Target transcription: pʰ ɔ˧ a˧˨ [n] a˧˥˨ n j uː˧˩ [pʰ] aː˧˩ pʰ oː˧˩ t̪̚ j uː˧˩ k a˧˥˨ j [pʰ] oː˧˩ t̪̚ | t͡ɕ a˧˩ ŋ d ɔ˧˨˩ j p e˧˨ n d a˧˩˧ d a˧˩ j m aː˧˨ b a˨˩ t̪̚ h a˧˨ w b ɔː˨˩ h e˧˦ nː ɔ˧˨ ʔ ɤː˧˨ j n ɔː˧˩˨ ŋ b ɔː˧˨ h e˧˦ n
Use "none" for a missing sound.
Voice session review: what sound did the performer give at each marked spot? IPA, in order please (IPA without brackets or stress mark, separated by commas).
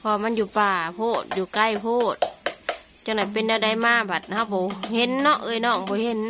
m, p, pʰ